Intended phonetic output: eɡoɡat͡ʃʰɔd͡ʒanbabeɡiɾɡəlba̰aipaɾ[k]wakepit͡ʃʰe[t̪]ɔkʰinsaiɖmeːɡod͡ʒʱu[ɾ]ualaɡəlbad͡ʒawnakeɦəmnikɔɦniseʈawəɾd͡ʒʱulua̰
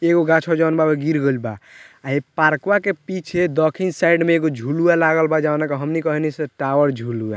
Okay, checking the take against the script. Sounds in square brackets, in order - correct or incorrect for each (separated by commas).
correct, incorrect, incorrect